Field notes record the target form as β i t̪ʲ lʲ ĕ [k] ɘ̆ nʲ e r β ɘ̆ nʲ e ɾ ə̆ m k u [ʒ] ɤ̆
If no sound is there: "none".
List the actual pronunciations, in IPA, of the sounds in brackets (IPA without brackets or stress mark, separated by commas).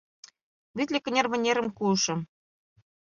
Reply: k, ʃ